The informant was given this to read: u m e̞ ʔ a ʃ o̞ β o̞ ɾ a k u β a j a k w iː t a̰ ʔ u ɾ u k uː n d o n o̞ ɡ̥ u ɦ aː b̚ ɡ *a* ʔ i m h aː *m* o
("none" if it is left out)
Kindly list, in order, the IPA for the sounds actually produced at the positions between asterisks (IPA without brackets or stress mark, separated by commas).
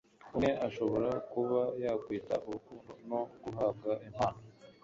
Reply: a, n